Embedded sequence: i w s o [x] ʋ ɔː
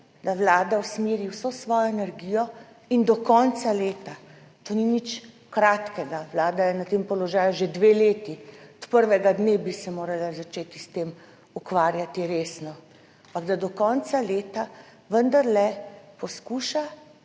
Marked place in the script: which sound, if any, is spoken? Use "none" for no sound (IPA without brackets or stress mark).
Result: s